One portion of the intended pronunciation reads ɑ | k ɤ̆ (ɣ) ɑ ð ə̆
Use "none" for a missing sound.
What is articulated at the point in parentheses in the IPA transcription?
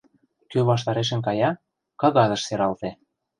ɣ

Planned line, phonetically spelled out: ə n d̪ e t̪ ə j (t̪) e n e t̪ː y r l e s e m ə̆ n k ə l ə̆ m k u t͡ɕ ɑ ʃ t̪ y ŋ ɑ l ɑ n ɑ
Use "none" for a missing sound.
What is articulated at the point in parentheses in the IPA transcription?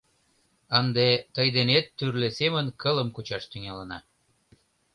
d̪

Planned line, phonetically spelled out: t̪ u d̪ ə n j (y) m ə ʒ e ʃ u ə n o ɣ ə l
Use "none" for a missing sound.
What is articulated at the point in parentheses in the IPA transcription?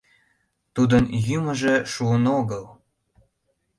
y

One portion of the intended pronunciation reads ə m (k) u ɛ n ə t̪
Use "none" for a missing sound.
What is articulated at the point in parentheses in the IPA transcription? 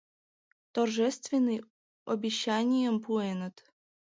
p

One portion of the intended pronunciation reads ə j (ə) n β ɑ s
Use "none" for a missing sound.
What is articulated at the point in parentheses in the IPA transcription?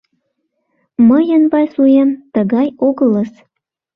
ə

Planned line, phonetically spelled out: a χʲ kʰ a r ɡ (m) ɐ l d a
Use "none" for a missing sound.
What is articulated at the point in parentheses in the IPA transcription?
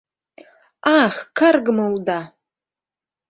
m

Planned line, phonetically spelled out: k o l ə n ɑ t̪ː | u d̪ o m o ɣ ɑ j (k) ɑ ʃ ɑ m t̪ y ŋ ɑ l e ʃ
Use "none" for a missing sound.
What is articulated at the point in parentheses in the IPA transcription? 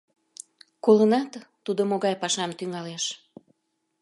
p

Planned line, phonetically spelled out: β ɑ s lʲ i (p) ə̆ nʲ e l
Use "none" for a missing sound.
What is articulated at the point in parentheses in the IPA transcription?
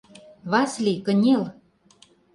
k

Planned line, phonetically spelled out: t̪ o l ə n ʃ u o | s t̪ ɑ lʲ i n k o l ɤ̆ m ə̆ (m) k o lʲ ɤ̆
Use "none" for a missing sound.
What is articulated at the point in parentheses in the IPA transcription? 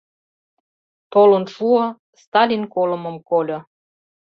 m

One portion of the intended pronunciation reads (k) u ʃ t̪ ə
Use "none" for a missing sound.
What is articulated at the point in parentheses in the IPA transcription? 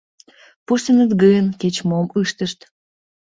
p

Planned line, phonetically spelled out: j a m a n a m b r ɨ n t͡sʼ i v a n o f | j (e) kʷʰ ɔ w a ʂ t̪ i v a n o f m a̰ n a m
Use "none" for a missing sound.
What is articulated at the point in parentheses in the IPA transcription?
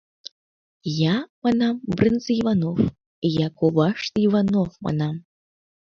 a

